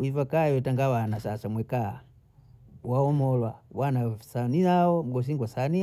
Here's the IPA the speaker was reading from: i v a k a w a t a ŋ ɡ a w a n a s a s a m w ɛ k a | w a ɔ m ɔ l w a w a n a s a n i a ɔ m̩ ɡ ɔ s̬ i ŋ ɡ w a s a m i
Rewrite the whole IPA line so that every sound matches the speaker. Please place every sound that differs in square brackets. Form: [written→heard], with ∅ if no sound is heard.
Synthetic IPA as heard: i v a k a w [a→ɛ] t a ŋ ɡ a w a n a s a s a m w ɛ k a | w a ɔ m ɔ l w a w a n a s a n i a ɔ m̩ ɡ ɔ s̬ i ŋ ɡ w a s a [m→n] i

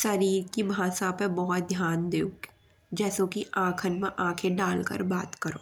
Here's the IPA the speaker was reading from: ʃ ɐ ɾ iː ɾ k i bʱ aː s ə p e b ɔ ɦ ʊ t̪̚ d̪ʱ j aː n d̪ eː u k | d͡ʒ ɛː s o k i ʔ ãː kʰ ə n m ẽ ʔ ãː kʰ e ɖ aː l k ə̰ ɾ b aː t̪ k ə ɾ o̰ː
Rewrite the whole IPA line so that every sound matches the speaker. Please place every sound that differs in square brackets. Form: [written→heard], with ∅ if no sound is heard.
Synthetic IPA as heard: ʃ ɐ ɾ iː ɾ k i bʱ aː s [ə→a] p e b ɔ ɦ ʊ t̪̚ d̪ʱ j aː n d̪ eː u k | d͡ʒ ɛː s o k i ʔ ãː kʰ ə n m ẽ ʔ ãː kʰ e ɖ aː l k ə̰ ɾ b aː t̪ k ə ɾ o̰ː

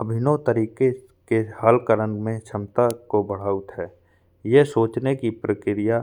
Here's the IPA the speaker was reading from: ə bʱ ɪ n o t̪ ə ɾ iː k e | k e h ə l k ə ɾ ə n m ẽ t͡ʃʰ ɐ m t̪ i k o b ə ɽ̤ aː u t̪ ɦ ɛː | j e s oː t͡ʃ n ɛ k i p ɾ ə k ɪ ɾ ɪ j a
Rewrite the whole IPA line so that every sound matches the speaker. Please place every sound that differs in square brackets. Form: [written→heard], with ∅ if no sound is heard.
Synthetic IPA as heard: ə bʱ ɪ n o t̪ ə ɾ iː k e | k e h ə l k ə ɾ ə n m ẽ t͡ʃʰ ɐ m t̪ [i→a] k o b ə ɽ̤ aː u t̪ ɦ ɛː | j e s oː t͡ʃ n [ɛ→e] k i p ɾ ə k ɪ ɾ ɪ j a

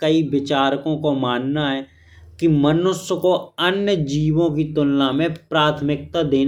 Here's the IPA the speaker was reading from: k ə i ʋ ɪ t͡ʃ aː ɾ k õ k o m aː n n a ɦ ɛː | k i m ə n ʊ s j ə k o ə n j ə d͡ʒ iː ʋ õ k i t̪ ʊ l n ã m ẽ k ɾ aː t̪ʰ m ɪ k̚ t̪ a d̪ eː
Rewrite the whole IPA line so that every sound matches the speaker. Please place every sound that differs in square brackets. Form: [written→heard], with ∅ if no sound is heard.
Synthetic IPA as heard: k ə i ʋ ɪ t͡ʃ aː ɾ k õ k o m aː n n a ɦ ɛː | k i m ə n ʊ s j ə k o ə n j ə d͡ʒ iː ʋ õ k i t̪ ʊ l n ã m ẽ [k→p] ɾ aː t̪ʰ m ɪ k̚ t̪ a d̪ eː

